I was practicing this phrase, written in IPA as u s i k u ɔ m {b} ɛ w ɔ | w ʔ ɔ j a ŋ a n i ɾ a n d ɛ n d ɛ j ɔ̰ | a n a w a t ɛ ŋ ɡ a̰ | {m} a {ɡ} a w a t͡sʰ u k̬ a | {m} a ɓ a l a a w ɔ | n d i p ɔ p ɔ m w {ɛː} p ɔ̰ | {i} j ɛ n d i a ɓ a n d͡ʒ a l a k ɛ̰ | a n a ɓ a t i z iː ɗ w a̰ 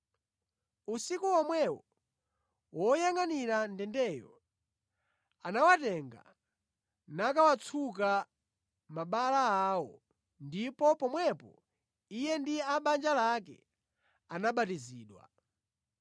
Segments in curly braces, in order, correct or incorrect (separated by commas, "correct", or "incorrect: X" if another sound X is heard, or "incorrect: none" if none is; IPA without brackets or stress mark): incorrect: w, incorrect: n, incorrect: k, correct, incorrect: ɛ, correct